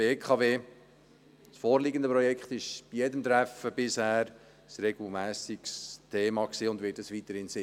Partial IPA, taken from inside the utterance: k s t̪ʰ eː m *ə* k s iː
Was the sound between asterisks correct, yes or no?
no